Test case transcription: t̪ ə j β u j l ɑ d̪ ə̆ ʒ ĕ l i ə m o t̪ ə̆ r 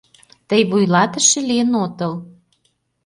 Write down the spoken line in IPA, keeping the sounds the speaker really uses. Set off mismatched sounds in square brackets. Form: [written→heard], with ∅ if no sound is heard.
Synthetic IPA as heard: t̪ ə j β u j l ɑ [d̪→t̪] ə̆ [ʒ→ʃ] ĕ l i ə [m→n] o t̪ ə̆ [r→l]